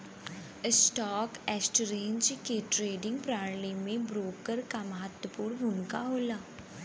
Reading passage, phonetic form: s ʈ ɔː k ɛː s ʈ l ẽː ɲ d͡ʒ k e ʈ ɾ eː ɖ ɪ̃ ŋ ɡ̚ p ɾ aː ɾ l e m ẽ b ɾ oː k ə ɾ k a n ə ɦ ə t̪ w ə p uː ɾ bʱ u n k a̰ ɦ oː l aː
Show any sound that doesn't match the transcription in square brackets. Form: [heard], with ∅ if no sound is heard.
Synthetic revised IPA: s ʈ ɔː k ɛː s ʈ [ɾ] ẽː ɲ d͡ʒ k e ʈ ɾ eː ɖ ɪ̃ ŋ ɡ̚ p ɾ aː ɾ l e m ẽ b ɾ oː k ə ɾ k a [m] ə ɦ ə t̪ w ə p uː ɾ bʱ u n k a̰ ɦ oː l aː